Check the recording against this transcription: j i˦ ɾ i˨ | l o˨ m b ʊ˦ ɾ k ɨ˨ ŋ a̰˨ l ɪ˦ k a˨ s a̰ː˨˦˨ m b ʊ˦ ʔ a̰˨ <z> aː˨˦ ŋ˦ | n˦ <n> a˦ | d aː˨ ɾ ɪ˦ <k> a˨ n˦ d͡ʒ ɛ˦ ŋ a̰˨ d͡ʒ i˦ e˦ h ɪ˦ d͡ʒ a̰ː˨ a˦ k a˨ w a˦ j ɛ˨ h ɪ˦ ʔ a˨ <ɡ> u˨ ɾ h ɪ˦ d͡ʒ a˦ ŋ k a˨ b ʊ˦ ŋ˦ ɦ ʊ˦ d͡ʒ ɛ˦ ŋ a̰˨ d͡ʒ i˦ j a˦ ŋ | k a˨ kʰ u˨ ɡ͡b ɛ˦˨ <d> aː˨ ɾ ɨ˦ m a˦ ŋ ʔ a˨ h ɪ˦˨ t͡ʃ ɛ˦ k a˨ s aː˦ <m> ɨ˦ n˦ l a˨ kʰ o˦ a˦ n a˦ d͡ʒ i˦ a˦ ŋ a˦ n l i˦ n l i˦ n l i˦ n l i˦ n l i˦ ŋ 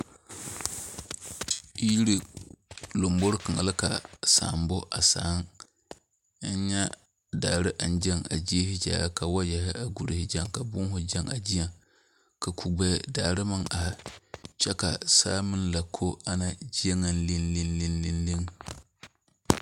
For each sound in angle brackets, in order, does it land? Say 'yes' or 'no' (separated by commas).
no, no, no, yes, yes, yes